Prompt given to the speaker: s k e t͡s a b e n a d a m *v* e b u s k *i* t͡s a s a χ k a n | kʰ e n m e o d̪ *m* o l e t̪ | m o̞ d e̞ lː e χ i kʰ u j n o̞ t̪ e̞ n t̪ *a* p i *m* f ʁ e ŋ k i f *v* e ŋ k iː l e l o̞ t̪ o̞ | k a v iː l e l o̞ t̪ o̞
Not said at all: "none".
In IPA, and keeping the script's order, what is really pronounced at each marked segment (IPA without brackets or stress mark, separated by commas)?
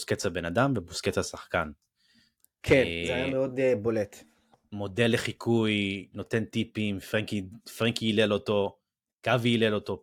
v, e, b, i, m, ʁ